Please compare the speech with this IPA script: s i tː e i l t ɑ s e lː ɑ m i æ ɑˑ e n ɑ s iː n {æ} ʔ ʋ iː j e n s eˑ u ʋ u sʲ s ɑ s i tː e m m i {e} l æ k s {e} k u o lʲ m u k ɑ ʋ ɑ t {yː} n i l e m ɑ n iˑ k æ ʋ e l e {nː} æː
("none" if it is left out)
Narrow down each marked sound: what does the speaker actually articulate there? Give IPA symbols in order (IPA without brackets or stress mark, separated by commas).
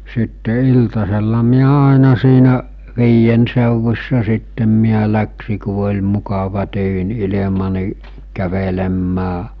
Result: æ, æ, i, yː, mː